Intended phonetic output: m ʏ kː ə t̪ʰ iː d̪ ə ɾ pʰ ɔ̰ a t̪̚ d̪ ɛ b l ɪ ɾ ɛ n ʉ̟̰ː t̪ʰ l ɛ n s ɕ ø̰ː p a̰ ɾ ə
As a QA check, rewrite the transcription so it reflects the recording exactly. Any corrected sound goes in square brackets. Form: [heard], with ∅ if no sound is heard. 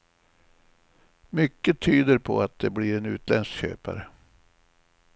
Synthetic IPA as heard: m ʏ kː ə t̪ʰ [yː] d̪ ə ɾ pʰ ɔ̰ a t̪̚ d̪ ɛ b l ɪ ɾ ɛ n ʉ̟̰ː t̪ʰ l ɛ n s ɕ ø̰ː p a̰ ɾ ə